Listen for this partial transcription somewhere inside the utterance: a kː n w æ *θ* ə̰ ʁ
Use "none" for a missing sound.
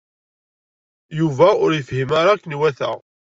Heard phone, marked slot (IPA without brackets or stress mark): θ